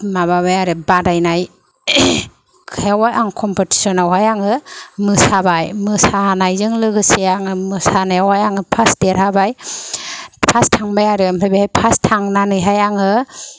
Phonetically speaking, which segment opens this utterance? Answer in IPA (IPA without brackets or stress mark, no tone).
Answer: m